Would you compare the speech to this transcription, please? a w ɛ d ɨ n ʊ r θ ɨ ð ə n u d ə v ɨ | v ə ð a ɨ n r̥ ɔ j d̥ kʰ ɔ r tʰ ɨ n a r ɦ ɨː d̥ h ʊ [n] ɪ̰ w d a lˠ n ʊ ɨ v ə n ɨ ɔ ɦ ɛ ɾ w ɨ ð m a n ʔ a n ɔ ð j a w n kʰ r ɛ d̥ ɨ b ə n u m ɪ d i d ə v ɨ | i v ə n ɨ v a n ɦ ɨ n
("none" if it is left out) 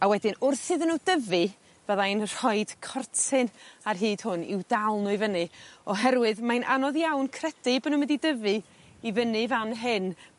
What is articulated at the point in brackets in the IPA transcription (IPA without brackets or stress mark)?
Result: n